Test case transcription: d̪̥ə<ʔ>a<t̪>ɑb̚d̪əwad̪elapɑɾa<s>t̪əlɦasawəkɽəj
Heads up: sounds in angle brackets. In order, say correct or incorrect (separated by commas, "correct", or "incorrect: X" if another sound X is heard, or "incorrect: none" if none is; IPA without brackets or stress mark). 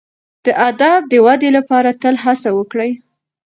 correct, incorrect: d̪, incorrect: none